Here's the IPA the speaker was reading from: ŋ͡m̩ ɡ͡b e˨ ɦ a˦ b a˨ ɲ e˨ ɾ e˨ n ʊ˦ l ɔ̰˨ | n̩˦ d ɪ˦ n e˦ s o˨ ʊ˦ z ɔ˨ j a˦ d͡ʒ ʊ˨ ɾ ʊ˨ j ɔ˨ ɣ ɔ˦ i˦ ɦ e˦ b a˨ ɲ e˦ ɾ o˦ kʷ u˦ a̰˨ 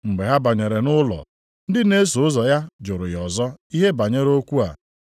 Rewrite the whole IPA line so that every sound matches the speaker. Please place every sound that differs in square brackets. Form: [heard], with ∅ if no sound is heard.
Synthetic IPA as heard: ŋ͡m̩ ɡ͡b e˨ ɦ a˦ b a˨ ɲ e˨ ɾ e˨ n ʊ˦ l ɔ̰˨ | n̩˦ d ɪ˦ n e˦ s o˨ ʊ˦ z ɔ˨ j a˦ d͡ʒ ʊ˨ ɾ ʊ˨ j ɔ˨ [z] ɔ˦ i˦ ɦ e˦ b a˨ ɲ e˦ ɾ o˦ kʷ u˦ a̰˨

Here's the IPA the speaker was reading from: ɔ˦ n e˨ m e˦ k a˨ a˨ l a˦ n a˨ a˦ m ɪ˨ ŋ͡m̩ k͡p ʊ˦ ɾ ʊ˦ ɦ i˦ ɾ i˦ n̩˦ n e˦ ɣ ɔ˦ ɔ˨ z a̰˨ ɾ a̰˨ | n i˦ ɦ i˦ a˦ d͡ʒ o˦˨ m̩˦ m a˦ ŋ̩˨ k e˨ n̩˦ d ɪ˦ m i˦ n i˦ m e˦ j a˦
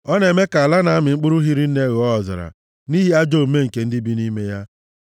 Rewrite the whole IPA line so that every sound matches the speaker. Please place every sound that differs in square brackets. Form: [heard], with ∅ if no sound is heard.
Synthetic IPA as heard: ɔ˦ n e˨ m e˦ k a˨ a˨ l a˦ n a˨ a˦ m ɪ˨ ŋ͡m̩ k͡p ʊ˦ ɾ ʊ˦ ɦ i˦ ɾ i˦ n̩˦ n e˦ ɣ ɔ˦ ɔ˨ z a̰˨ ɾ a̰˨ | n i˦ ɦ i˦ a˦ d͡ʒ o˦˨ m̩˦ m [e˦] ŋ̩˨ k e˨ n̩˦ d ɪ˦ [b] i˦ n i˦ m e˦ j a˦

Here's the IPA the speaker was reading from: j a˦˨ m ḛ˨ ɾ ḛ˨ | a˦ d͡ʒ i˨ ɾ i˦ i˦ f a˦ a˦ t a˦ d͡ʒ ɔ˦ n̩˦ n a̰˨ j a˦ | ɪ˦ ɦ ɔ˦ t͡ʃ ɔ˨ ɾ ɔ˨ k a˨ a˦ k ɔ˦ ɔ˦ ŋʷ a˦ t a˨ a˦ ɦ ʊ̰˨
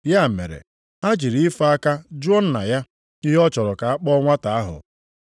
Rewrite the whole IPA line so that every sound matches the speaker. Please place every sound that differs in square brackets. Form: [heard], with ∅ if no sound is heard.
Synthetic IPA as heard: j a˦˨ m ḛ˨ ɾ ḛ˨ | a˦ d͡ʒ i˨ ɾ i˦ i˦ f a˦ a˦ [k] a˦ d͡ʒ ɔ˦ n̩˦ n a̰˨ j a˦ | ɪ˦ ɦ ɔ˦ t͡ʃ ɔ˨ ɾ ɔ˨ k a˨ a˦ [k͡p] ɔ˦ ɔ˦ ŋʷ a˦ t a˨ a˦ ɦ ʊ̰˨

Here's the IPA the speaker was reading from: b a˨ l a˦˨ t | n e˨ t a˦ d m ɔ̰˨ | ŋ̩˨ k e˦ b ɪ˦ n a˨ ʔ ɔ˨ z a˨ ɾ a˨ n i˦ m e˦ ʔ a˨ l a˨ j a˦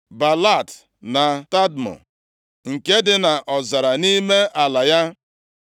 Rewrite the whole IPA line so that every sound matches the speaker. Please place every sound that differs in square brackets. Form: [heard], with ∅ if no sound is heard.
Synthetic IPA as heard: b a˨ l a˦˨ t | n [a˨] t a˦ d m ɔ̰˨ | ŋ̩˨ k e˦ [d] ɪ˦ n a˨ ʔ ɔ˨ z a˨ ɾ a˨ n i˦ m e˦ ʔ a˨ l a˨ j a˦

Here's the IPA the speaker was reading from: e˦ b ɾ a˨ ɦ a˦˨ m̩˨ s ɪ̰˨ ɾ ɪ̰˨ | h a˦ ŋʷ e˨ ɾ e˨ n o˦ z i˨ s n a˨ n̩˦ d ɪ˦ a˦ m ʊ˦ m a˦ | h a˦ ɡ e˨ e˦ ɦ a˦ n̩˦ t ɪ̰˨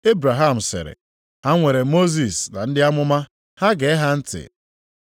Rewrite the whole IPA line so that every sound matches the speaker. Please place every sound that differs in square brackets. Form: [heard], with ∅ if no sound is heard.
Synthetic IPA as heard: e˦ b ɾ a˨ ɦ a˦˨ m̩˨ s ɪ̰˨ ɾ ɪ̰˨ | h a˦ ŋʷ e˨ ɾ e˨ [m] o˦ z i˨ s n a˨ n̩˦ d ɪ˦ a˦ m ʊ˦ m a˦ | h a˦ ɡ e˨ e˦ ɦ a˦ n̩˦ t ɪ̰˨

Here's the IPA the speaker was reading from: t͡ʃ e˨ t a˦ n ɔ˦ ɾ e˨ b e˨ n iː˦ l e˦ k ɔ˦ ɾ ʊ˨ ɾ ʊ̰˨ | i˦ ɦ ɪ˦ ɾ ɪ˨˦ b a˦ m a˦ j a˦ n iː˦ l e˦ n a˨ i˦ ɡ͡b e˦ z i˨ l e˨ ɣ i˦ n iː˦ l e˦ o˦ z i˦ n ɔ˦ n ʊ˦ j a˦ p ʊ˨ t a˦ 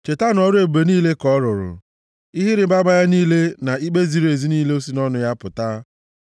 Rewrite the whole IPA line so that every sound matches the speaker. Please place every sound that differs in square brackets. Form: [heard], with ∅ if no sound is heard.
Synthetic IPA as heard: t͡ʃ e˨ t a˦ n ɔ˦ ɾ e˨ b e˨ n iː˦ l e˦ k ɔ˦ ɾ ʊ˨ ɾ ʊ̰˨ | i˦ ɦ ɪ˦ ɾ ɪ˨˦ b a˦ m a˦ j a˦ n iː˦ l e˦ n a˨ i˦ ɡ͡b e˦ z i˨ [ɾ] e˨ [z] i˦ n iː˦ l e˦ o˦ [s] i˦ n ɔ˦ n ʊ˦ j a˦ p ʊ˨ t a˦

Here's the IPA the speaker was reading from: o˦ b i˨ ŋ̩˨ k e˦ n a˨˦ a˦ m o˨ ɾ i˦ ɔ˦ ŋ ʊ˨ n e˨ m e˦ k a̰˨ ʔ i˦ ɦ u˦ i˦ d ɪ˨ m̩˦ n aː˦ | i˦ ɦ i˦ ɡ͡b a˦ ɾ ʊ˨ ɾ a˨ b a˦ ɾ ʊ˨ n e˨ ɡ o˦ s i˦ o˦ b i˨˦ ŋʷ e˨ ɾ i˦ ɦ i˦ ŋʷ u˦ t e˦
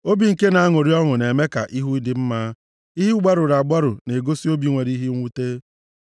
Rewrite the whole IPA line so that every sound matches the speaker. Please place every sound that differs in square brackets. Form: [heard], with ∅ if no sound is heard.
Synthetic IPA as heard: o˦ b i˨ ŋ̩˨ k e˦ n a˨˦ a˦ [ŋ] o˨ ɾ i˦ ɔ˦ ŋ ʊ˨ n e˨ m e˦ k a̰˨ ʔ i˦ ɦ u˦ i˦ d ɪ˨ m̩˦ [m] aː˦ | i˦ ɦ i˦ ɡ͡b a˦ ɾ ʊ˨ ɾ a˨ [ɡ͡b] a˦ ɾ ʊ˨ n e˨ ɡ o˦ s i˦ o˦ b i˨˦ ŋʷ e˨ ɾ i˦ ɦ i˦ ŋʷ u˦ t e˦

